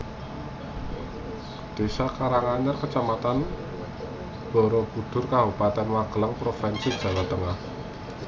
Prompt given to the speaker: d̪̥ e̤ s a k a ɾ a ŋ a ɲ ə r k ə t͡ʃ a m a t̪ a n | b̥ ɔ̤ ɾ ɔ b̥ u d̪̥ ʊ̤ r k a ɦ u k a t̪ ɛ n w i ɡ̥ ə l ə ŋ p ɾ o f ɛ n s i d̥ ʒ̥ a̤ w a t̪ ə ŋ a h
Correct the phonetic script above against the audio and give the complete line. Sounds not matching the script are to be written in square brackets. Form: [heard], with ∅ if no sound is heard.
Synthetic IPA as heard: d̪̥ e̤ s a k a ɾ a ŋ a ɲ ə r k ə t͡ʃ a m a t̪ a n | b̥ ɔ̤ ɾ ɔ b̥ u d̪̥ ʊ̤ r k a ɦ u [p] a t̪ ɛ n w [a] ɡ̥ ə l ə ŋ p ɾ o f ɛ n s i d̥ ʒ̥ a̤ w a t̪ ə ŋ a h